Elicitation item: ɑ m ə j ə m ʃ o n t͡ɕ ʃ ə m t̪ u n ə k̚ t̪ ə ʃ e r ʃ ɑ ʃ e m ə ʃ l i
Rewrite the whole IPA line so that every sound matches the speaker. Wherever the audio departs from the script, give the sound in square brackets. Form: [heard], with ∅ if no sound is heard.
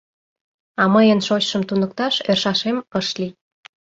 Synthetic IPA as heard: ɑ m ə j ə [n] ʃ o [∅] t͡ɕ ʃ ə m t̪ u n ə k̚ t̪ [ɑ] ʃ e r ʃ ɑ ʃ e m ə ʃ l i